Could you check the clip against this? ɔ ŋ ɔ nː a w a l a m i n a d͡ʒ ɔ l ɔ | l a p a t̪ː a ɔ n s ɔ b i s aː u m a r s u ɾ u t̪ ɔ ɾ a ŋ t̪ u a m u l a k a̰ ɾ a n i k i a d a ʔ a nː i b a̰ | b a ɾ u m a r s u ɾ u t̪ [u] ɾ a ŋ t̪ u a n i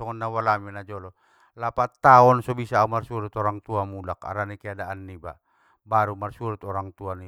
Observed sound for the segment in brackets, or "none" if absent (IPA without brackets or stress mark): ɔ